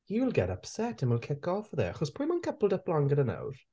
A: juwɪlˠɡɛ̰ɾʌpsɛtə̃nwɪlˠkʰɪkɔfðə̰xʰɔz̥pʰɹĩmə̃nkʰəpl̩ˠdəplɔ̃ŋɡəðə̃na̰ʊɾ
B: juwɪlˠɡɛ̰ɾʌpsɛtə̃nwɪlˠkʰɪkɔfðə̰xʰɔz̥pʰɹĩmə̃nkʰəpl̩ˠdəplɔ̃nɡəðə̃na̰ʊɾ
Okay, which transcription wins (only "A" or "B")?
A